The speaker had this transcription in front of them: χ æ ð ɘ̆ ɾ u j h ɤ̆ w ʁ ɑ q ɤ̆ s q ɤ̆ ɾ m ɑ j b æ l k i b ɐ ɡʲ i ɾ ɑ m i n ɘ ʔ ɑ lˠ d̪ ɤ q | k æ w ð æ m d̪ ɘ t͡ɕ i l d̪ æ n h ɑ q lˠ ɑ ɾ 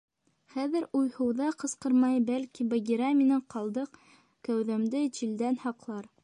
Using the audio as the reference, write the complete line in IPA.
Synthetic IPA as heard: χ æ ð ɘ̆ ɾ u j h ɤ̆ w ð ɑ q ɤ̆ s q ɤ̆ ɾ m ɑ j b æ l k i b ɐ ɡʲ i ɾ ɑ m i n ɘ q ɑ lˠ d̪ ɤ q | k æ w ð æ m d̪ ɘ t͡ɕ i l d̪ æ n h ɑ q lˠ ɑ ɾ